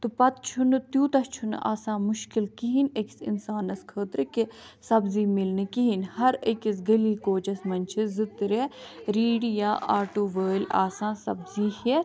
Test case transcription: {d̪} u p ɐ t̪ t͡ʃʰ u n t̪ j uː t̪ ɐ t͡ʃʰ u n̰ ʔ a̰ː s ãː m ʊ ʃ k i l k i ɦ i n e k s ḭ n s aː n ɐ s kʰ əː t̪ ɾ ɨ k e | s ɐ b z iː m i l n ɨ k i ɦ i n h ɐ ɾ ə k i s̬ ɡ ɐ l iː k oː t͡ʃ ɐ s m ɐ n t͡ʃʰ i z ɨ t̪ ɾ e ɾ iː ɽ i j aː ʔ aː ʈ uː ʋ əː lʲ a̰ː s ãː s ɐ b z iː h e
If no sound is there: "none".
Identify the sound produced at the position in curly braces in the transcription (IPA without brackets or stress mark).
t̪